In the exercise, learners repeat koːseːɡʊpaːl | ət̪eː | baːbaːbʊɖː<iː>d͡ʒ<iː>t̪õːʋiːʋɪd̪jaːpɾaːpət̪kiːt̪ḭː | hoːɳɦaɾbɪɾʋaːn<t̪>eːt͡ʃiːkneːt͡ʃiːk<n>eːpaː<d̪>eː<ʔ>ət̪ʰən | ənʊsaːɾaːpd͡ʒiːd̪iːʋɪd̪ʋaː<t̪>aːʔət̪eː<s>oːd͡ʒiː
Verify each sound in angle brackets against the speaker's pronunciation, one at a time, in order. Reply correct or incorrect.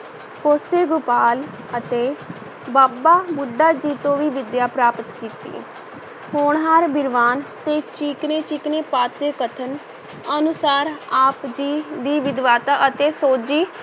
incorrect, correct, correct, correct, incorrect, incorrect, correct, correct

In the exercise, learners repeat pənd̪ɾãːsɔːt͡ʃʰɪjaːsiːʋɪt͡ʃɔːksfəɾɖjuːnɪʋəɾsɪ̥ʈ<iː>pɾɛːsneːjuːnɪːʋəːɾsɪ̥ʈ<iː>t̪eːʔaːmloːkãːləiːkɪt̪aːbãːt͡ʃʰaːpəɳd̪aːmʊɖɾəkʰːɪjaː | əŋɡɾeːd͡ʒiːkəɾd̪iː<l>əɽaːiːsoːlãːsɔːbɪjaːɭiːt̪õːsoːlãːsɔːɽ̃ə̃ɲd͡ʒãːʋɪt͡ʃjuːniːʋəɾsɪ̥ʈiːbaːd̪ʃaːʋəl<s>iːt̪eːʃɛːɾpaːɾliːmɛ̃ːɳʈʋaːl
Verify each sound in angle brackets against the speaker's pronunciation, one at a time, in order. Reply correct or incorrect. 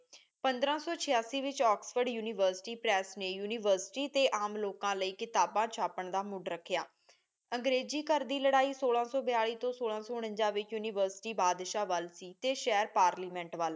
correct, correct, correct, correct

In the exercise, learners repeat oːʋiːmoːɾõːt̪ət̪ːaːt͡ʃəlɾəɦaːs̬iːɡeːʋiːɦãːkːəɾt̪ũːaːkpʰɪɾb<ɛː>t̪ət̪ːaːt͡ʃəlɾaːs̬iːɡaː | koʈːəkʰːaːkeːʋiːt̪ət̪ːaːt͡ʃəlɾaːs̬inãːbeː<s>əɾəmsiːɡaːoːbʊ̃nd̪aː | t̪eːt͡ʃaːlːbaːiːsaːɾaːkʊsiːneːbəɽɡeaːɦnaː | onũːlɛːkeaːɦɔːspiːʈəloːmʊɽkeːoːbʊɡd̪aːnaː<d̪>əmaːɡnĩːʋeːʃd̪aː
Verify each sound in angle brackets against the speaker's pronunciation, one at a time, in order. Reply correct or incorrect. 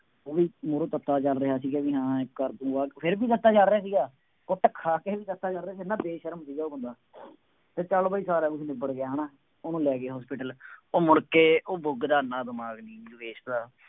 incorrect, incorrect, correct

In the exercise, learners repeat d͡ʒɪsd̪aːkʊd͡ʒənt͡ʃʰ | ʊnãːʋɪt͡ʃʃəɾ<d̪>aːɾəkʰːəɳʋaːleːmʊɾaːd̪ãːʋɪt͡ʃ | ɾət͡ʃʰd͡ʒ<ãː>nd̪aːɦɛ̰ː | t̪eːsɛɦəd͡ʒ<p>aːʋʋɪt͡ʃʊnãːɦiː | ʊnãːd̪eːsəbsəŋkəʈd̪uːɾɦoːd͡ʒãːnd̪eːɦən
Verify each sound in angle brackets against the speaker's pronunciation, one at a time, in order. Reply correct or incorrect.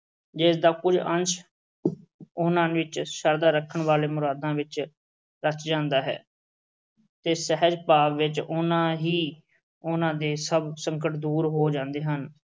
correct, correct, correct

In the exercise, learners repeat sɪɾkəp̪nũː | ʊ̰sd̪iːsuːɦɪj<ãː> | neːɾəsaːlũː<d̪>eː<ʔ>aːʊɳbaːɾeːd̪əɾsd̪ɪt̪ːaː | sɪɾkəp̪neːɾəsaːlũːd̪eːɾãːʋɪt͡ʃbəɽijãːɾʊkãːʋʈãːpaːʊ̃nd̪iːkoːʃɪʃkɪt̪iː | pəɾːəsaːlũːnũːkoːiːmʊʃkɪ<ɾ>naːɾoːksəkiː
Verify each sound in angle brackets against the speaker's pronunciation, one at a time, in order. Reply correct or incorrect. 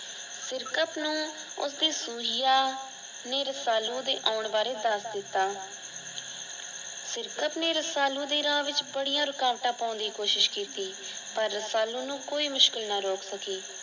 incorrect, correct, correct, incorrect

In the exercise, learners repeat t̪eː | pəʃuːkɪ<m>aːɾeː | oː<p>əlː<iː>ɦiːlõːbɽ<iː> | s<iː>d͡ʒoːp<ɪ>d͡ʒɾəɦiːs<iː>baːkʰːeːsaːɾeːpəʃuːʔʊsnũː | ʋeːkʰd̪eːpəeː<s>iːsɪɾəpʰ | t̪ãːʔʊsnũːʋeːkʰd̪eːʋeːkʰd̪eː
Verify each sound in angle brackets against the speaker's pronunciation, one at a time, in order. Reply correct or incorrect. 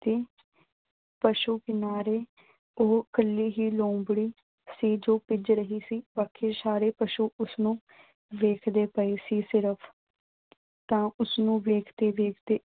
incorrect, incorrect, correct, correct, correct, correct, correct, correct

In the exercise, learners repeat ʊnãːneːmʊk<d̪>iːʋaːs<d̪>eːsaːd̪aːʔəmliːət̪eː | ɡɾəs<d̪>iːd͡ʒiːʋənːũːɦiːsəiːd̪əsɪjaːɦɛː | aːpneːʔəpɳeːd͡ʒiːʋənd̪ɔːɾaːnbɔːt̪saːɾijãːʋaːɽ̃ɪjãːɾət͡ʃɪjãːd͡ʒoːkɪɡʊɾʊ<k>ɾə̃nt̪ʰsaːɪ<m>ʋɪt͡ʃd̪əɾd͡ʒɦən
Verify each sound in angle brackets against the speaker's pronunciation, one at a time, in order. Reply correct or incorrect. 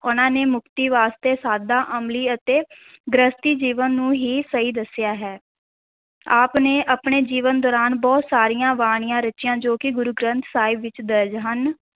incorrect, incorrect, incorrect, incorrect, incorrect

